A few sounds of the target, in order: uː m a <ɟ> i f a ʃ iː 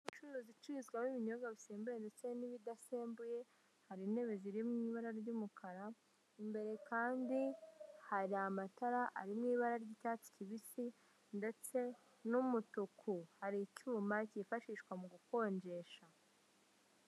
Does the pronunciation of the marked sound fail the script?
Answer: yes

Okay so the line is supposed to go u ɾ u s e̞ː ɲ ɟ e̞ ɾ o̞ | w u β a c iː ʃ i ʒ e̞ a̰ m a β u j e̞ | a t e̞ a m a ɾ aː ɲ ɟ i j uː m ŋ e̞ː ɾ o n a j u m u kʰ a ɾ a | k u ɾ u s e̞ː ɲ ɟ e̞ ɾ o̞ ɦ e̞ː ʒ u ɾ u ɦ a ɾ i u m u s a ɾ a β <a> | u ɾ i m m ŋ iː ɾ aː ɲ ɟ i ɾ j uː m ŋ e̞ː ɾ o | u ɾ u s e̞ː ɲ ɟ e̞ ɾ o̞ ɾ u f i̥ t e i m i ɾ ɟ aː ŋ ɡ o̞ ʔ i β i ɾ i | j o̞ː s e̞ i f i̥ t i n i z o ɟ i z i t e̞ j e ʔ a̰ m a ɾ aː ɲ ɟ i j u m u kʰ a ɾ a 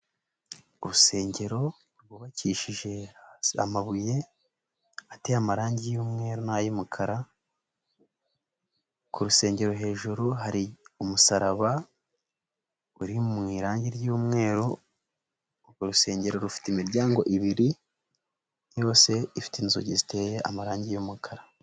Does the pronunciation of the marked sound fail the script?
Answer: no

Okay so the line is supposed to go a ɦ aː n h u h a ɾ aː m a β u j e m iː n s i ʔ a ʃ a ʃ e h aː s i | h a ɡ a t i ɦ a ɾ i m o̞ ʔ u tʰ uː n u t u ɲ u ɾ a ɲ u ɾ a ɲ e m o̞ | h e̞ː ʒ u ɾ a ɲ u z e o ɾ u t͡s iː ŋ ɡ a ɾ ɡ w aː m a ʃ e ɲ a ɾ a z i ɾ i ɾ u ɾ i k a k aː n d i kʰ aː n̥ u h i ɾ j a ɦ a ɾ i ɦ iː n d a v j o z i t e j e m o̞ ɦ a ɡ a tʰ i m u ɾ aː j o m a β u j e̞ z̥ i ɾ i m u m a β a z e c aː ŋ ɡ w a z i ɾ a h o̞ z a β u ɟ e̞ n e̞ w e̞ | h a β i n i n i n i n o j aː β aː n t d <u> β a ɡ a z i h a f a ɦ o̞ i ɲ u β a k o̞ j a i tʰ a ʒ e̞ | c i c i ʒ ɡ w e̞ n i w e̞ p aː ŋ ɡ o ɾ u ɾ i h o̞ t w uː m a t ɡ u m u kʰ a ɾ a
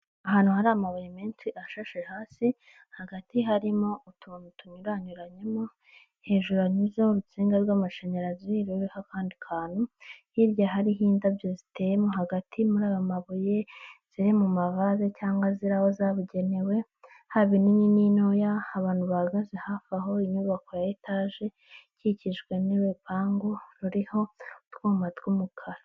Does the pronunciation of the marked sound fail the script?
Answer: no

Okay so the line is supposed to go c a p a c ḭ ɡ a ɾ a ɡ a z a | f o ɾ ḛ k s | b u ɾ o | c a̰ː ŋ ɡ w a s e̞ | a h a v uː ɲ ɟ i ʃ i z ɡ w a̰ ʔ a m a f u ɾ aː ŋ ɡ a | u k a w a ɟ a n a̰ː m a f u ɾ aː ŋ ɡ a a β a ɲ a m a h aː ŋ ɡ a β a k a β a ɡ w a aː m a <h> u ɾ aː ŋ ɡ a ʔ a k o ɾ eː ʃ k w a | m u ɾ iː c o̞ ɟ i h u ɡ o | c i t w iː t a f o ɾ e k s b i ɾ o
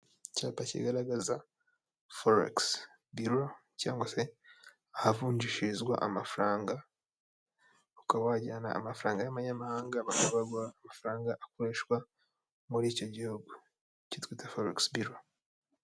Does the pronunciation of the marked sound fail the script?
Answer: yes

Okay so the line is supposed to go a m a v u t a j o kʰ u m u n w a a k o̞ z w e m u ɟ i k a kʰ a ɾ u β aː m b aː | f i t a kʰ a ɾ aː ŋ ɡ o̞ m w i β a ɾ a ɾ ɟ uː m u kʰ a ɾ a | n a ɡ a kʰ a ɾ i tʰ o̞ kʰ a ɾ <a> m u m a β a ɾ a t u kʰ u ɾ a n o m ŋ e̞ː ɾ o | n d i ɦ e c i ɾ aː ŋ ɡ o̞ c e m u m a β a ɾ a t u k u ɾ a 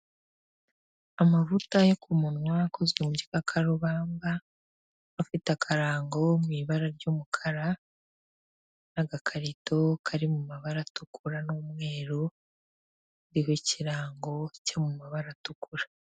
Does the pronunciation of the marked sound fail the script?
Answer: yes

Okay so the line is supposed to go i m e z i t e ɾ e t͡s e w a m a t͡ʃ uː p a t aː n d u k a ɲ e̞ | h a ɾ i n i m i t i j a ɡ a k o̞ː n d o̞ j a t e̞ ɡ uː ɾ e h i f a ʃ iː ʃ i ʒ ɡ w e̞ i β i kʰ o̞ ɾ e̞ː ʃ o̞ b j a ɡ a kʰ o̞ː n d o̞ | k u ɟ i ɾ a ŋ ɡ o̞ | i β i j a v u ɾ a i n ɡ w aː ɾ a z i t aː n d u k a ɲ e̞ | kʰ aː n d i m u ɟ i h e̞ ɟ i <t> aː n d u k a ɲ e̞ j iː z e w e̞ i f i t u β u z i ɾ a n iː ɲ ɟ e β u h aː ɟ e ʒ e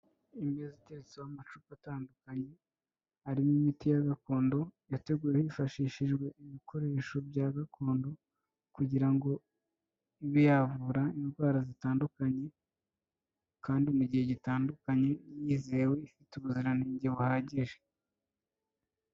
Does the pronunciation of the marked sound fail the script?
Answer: no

